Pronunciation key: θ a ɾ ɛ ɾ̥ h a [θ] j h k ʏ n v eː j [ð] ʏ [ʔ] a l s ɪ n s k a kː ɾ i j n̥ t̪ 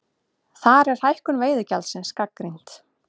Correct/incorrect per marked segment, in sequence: incorrect, correct, incorrect

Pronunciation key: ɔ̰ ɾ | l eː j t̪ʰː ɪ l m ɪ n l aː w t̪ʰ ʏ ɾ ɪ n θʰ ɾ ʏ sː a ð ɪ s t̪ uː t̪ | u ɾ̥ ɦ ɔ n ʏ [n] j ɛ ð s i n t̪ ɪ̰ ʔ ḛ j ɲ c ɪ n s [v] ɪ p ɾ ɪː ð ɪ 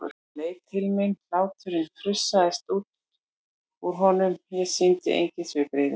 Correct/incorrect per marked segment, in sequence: incorrect, correct

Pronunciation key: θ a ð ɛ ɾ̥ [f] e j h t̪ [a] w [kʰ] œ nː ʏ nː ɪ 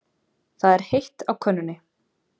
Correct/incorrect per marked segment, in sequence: incorrect, correct, correct

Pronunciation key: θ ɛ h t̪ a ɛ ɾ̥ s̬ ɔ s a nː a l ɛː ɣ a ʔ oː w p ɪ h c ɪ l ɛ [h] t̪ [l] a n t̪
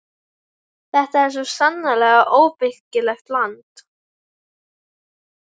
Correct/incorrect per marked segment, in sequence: incorrect, correct

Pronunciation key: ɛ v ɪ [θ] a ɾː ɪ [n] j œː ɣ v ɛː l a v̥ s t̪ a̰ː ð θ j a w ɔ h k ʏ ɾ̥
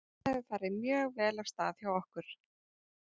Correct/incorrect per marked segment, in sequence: correct, incorrect

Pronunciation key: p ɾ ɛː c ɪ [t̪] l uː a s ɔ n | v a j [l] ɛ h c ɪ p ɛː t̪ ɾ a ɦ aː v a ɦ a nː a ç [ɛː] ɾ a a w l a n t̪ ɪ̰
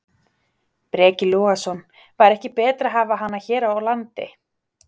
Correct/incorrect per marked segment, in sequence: incorrect, incorrect, correct

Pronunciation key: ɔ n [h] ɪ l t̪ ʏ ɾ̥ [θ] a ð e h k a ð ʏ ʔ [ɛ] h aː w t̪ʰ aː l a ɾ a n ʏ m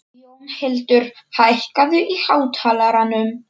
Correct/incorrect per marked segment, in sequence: correct, incorrect, incorrect

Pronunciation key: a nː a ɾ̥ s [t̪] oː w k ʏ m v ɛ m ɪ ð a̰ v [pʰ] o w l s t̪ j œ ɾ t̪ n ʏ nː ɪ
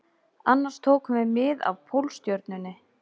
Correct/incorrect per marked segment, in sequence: incorrect, correct

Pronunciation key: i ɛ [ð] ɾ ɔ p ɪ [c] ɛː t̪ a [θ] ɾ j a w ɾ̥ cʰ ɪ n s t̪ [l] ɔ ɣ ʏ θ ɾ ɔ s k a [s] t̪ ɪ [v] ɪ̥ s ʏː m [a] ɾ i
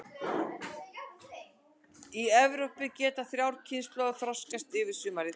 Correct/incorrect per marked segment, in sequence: incorrect, correct, correct, correct, correct, correct, correct

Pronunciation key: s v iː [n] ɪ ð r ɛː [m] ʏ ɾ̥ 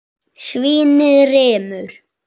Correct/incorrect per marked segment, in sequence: correct, correct

